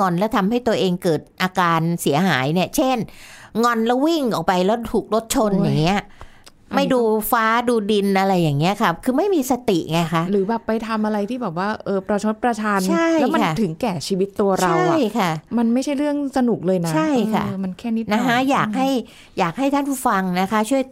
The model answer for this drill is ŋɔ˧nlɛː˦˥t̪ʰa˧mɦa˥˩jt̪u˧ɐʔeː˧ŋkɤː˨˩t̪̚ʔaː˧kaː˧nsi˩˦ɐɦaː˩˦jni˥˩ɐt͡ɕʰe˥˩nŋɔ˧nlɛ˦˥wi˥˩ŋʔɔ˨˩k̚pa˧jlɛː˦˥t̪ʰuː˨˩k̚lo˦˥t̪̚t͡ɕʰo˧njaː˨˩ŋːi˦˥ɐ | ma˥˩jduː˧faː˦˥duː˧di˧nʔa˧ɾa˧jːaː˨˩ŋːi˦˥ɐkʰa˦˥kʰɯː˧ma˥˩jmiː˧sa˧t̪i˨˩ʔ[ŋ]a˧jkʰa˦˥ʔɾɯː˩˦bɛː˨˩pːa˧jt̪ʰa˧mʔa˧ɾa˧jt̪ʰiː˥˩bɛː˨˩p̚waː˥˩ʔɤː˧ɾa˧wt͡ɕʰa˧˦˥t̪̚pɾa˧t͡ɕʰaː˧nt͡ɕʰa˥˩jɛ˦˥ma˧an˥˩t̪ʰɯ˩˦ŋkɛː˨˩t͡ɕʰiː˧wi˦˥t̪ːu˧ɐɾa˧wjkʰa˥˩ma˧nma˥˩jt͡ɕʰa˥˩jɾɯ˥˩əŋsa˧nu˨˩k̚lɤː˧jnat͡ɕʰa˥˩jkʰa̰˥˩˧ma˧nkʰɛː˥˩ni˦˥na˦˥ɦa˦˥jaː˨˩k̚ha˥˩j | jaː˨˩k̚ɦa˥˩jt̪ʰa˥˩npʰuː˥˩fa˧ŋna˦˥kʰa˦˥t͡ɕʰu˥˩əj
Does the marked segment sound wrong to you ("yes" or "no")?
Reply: no